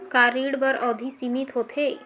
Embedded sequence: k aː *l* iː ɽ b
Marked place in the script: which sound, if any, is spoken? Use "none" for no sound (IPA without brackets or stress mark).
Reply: ɾ